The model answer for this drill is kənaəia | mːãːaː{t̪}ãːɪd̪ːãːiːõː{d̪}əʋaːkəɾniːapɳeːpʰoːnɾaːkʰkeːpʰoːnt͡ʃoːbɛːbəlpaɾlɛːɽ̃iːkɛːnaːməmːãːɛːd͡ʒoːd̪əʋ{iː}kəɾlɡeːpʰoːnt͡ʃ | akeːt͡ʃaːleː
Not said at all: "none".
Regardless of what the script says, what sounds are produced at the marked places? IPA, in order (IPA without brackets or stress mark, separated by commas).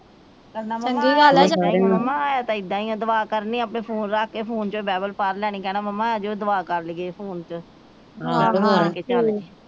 t̪, d̪, aː